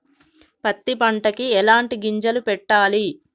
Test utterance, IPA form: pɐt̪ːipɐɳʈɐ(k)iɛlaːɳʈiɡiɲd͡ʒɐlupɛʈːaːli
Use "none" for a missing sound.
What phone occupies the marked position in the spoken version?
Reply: k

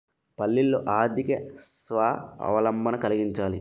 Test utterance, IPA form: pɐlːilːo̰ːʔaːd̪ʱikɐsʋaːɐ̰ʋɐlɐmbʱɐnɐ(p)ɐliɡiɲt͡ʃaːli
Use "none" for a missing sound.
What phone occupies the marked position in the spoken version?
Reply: k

